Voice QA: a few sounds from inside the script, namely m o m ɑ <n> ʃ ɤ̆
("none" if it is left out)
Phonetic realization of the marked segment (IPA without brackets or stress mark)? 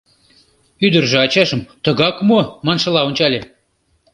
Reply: n